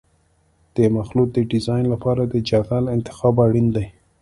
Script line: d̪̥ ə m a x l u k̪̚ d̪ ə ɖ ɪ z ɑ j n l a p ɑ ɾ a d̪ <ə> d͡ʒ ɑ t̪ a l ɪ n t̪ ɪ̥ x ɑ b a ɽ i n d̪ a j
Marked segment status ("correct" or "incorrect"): correct